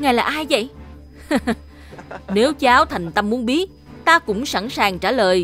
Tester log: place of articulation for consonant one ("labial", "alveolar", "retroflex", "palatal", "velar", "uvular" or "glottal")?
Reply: velar